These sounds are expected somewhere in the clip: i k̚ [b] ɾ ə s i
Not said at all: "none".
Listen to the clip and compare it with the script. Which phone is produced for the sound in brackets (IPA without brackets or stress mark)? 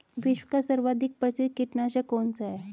p